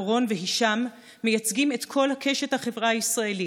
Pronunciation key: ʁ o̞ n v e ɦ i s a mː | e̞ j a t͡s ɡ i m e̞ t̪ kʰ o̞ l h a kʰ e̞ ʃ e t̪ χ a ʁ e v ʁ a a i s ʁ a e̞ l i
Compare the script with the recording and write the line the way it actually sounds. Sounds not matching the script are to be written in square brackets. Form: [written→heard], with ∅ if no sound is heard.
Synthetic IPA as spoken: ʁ o̞ n v e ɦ i [s→ʃ] a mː | e̞ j a t͡s ɡ i m e̞ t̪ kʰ o̞ l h a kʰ e̞ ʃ e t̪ [χ→h] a [ʁ→χ] e v ʁ a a i s ʁ a e̞ l i

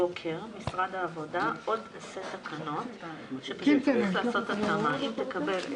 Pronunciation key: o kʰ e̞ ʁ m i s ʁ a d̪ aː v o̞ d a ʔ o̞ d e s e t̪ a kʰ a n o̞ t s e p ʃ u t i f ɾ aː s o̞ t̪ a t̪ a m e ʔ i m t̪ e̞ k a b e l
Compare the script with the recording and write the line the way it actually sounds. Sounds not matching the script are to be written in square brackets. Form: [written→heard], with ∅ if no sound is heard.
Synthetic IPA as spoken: o kʰ e̞ ʁ m i s ʁ a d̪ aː v o̞ d a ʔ o̞ d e s e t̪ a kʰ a n o̞ t [s→ʃ] e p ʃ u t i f [ɾ→l] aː s o̞ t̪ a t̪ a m [e→a] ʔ i m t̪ e̞ k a b e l

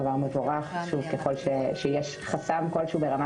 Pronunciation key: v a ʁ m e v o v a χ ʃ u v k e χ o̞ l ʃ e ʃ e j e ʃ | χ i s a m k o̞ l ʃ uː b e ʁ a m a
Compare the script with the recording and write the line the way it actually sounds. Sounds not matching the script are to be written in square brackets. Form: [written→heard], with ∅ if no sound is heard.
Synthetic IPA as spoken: v a ʁ m e v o [v→ʁ] a χ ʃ u v k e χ o̞ l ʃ e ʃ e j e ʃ | χ [i→a] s a m k o̞ l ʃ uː b e ʁ a m a

